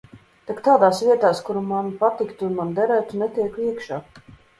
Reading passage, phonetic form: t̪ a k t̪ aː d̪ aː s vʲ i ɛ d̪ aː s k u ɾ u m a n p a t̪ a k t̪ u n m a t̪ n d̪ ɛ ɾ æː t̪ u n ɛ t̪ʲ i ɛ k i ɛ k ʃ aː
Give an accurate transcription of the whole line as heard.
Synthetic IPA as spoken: t̪ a k t̪ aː d̪ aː s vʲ i ɛ t̪ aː s k u ɾ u m a n p a t̪ i k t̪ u n m a n d̪ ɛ ɾ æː t̪ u n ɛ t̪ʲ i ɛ k i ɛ k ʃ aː